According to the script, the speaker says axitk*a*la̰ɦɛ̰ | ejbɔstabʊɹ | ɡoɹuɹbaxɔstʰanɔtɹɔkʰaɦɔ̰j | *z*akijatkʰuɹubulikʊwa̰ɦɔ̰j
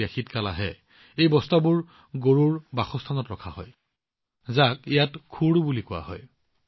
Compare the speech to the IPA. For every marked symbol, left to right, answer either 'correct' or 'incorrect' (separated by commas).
correct, correct